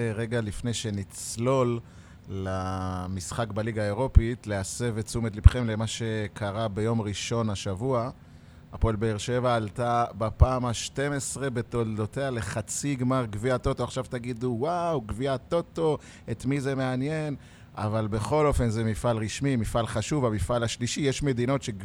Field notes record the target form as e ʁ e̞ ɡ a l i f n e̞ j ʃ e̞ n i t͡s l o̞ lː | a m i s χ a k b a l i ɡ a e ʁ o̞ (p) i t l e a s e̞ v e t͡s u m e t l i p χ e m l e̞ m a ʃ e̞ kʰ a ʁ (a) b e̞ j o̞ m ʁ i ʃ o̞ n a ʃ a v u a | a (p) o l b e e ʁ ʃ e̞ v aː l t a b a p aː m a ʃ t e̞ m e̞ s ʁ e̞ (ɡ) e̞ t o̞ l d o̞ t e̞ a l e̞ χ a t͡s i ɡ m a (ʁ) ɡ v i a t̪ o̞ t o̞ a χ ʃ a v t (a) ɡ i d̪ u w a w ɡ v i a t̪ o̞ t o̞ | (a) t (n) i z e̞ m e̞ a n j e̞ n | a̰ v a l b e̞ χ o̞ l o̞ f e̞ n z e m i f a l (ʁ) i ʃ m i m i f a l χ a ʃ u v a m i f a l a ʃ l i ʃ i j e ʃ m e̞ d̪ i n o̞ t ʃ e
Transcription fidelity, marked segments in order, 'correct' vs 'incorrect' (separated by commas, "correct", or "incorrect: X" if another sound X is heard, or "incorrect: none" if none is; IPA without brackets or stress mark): correct, correct, correct, incorrect: b, correct, correct, incorrect: e, incorrect: m, correct